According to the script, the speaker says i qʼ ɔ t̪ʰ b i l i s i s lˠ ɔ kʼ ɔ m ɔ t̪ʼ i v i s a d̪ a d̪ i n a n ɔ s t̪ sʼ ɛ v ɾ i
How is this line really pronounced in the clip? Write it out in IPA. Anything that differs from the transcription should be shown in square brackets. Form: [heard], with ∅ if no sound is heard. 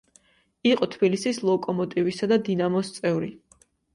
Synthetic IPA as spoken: i qʼ ɔ t̪ʰ b i l i s i s lˠ ɔ kʼ ɔ m ɔ t̪ʼ i v i s a d̪ a d̪ i n a [m] ɔ s t̪ sʼ ɛ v ɾ i